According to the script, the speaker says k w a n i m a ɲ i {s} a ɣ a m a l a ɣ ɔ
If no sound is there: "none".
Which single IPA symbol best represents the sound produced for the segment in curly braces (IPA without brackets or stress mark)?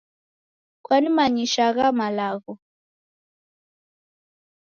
ʃ